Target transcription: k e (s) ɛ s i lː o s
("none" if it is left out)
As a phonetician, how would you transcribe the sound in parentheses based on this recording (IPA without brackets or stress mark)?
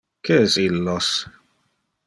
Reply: none